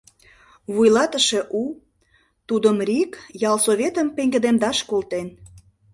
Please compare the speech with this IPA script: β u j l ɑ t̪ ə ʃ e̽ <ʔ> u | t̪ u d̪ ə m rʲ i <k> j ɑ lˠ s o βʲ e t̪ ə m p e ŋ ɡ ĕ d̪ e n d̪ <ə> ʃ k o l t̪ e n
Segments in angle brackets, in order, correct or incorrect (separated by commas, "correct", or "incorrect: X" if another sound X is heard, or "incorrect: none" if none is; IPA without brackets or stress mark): correct, correct, incorrect: ɑ